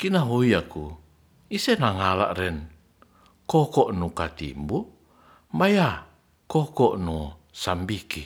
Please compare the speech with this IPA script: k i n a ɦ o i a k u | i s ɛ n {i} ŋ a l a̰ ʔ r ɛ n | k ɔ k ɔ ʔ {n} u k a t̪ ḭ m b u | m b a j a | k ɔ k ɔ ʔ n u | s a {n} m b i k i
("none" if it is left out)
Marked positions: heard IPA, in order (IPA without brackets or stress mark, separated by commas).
a, n, none